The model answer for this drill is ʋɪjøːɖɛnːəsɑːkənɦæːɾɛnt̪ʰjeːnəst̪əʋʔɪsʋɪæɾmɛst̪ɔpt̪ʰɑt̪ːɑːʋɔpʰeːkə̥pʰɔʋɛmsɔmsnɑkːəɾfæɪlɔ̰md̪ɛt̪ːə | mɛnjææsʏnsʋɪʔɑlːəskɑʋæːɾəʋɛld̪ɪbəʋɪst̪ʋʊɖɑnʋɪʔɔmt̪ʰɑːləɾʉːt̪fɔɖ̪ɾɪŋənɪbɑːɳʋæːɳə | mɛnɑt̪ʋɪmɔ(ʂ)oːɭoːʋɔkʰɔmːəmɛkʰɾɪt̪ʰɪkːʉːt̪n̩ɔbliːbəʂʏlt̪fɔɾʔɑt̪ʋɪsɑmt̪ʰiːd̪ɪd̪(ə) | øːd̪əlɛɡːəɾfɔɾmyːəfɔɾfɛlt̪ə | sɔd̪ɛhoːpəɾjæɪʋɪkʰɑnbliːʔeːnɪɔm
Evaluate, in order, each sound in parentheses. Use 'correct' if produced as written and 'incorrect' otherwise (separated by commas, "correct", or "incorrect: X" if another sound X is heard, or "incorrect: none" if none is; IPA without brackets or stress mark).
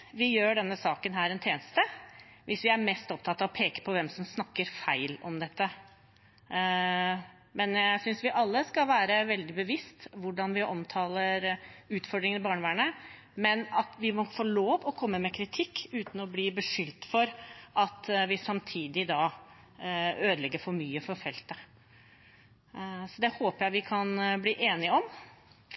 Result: incorrect: f, incorrect: ɑ